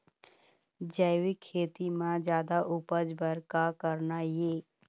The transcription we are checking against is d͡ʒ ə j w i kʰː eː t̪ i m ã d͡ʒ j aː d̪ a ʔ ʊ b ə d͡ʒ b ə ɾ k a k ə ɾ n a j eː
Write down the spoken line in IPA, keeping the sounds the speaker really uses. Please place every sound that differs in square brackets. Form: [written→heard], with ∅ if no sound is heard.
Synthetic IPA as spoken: d͡ʒ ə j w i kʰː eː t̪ i m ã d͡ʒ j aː d̪ a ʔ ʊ [b→p] ə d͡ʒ b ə ɾ k a k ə ɾ n a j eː